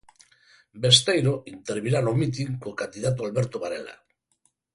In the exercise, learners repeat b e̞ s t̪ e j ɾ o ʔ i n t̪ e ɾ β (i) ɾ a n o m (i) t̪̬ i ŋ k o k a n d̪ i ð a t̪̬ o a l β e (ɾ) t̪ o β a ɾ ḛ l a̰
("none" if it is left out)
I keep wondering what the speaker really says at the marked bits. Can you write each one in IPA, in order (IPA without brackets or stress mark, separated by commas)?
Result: i, i, ɾ